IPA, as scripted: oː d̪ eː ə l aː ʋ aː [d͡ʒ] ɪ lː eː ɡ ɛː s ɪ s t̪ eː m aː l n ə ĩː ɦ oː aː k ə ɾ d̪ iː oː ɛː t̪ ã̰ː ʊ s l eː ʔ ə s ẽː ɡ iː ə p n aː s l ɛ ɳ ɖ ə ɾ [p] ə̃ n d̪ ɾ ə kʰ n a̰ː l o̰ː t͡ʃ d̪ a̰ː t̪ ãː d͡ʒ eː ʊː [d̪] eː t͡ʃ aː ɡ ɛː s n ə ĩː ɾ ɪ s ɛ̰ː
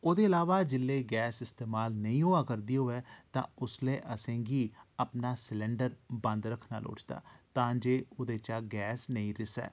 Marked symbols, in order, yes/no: yes, no, yes

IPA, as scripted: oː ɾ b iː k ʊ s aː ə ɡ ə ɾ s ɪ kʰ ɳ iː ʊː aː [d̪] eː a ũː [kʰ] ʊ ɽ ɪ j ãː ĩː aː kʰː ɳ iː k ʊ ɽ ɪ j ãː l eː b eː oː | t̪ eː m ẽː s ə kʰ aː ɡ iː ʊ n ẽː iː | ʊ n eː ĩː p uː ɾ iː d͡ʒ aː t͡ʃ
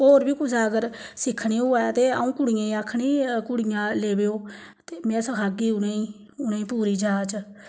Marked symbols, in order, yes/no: no, no

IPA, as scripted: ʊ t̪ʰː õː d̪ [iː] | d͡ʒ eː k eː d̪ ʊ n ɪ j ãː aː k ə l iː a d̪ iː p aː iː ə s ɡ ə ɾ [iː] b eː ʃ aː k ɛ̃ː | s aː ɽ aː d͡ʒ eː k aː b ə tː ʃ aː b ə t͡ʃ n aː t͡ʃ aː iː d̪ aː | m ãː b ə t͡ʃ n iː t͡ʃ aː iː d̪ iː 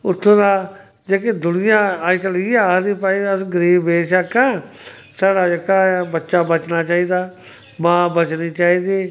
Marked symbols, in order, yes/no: no, yes

